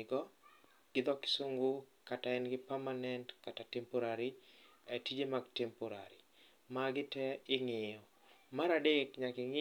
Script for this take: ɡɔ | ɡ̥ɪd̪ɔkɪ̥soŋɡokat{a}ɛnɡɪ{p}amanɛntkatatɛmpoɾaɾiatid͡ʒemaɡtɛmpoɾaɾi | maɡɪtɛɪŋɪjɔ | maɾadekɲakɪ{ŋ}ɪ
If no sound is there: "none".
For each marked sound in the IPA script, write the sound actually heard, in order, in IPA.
a, p, ŋ

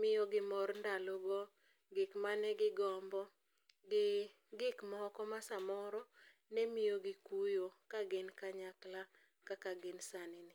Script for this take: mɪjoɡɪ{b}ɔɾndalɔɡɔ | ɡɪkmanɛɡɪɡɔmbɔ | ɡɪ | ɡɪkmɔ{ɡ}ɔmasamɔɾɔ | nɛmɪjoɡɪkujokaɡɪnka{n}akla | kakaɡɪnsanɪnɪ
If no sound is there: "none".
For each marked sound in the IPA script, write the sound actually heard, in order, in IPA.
m, k, ɲ

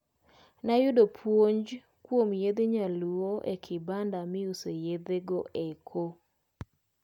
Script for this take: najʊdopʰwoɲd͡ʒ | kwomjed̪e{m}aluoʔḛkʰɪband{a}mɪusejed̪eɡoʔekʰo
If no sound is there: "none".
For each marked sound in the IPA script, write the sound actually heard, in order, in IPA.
ɲ, a

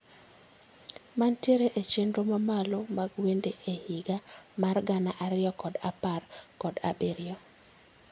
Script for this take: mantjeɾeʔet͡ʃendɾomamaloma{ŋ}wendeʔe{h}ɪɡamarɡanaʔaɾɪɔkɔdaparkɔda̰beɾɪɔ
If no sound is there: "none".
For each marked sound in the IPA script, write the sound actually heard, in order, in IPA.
ɡ, h

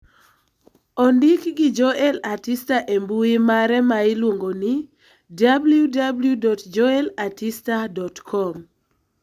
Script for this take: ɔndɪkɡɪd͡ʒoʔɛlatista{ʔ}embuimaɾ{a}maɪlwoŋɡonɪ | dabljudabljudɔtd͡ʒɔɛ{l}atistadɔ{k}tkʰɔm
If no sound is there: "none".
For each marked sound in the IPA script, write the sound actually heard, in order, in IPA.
ʔ, ɛ, l, none

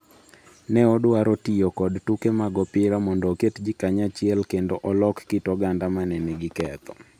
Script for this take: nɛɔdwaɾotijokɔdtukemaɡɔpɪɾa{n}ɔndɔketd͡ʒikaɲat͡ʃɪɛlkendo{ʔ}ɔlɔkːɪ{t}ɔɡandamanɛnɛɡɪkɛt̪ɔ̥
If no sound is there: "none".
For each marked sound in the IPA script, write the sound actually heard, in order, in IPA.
m, ʔ, t

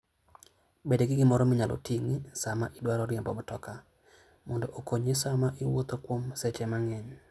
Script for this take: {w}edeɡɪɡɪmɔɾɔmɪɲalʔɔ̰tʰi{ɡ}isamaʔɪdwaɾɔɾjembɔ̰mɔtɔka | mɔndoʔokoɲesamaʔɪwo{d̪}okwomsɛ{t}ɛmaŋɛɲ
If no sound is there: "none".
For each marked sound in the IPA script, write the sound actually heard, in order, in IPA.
b, ŋ, t̪, t͡ʃ

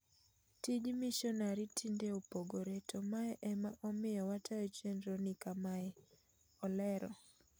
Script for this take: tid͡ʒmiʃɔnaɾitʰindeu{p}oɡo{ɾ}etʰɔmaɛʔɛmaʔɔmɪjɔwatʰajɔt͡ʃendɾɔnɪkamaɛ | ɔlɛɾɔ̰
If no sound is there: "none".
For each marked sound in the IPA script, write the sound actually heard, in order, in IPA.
p, ɾ

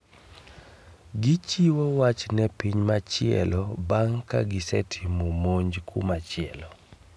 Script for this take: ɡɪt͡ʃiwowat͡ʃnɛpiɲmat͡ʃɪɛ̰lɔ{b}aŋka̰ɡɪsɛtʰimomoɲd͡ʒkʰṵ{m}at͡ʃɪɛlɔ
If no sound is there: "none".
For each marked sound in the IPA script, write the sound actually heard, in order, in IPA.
b, m

